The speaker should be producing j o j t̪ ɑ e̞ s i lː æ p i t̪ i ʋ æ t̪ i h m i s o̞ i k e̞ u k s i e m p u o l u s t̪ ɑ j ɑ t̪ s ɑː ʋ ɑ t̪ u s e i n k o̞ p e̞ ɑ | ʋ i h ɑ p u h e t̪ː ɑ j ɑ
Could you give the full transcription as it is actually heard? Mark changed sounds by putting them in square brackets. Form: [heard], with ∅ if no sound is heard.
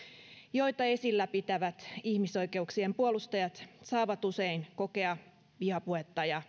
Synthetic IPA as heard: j o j t̪ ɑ e̞ s i lː æ p i t̪ [æ] ʋ æ t̪ i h m i s o̞ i k e̞ u k s i e m p u o l u s t̪ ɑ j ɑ t̪ s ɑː ʋ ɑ t̪ u s e i n k o̞ [k] e̞ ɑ | ʋ i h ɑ p u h e t̪ː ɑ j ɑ

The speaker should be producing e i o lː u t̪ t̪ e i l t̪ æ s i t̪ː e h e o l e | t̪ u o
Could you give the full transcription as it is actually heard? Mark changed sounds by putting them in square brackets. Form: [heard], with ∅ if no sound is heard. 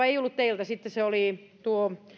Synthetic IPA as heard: e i o lː u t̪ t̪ e i l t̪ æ s i t̪ː e [s] e o l [i] | t̪ u o

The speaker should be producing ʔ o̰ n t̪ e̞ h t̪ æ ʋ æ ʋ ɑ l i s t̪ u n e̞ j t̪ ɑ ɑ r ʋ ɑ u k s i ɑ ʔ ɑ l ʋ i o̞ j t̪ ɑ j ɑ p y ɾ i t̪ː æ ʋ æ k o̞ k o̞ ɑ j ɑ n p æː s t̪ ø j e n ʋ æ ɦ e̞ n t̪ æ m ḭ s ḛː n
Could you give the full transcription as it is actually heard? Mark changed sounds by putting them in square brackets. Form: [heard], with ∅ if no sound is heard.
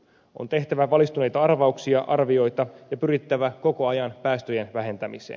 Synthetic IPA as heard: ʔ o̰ n t̪ e̞ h t̪ æ ʋ æ ʋ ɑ l i s t̪ u n e̞ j t̪ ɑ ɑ r ʋ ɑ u k s i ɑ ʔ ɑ [r] ʋ i o̞ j t̪ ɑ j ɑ p y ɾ i t̪ː æ ʋ æ k o̞ k o̞ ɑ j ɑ n p æː s t̪ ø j e n ʋ æ ɦ e̞ n t̪ æ m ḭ s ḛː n

